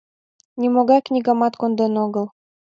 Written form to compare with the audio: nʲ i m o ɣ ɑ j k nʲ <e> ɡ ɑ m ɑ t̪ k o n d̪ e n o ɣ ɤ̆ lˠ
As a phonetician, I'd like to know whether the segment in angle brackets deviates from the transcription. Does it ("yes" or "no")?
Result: yes